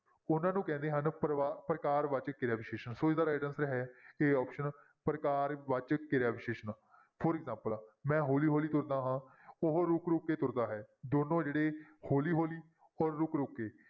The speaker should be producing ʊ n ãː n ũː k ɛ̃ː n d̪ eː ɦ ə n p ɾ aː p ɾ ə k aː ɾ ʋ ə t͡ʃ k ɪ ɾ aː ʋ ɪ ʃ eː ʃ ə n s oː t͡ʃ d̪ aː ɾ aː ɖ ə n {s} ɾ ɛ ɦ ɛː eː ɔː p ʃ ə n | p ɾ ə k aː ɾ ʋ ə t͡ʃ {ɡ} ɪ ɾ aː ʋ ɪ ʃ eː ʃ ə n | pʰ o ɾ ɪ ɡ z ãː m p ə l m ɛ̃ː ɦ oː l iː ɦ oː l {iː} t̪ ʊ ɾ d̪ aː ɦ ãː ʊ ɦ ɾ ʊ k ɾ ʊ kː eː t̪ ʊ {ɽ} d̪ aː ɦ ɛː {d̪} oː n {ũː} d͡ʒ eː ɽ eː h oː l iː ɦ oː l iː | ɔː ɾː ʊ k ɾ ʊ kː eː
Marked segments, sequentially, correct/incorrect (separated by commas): correct, incorrect, correct, incorrect, correct, incorrect